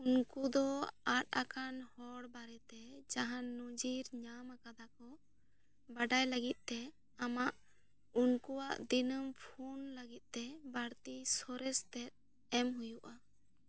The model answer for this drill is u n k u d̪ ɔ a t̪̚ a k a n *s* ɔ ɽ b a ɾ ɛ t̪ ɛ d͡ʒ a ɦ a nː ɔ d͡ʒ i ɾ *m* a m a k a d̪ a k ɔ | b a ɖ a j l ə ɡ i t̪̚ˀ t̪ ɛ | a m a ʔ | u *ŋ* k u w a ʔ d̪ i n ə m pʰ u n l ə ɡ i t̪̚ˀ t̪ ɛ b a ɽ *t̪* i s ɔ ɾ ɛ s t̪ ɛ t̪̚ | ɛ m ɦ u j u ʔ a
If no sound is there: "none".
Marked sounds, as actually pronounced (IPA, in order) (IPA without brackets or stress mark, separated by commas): h, ɲ, n, t̪